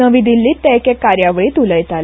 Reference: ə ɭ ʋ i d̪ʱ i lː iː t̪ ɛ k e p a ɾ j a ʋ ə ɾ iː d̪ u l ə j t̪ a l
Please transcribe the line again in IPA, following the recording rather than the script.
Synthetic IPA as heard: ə ʋ i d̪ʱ i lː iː t̪ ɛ k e k a ɾ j a ʋ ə ɭ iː t̪ u l ə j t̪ a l